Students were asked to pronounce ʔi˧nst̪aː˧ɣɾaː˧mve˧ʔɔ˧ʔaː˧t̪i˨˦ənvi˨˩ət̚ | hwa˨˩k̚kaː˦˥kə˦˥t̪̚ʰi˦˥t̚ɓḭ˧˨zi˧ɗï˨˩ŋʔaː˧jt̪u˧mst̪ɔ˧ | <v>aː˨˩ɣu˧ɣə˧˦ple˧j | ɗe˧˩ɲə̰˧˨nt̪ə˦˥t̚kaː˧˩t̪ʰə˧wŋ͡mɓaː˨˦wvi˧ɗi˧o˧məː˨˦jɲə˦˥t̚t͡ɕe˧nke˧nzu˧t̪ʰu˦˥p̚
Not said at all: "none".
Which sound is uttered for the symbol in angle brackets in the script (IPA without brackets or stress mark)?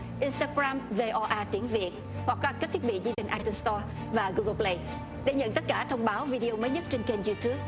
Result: v